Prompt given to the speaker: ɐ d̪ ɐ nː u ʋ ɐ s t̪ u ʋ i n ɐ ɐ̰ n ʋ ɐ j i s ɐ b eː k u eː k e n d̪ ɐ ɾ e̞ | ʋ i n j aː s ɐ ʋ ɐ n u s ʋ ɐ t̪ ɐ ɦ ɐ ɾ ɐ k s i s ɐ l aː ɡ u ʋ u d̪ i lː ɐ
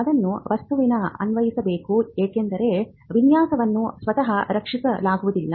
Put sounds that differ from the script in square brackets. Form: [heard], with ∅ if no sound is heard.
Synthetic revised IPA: ɐ d̪ ɐ nː u ʋ ɐ s t̪ u ʋ i n ɐ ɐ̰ n ʋ ɐ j i s ɐ b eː k u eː k e n d̪ ɐ ɾ e̞ | ʋ i n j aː s ɐ ʋ ɐ [nː] u s ʋ ɐ t̪ ɐ ɦ ɐ ɾ ɐ k [ʂ] i s ɐ l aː ɡ u ʋ u d̪ i lː ɐ